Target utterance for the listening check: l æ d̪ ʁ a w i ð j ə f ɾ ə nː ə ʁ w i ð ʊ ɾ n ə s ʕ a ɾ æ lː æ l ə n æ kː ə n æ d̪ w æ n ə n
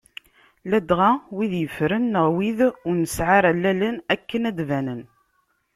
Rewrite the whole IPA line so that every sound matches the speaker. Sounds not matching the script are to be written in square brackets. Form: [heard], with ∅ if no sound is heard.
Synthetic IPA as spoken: l æ d̪ ʁ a w i ð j ə f ɾ ə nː ə ʁ w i ð ʊ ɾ n ə s ʕ a ɾ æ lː æ l ə n æ kː ə n æ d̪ [v] æ n ə n